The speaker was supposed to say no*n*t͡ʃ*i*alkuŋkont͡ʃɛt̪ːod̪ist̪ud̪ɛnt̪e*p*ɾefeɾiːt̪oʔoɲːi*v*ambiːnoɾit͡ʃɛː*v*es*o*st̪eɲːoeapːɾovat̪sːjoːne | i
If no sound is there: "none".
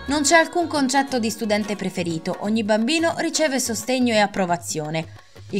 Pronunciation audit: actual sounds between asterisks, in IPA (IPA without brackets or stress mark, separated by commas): n, ɛ, p, b, v, o